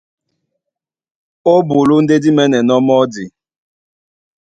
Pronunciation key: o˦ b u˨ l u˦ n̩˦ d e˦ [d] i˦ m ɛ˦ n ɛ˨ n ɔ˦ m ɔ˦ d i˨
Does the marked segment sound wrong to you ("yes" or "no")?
no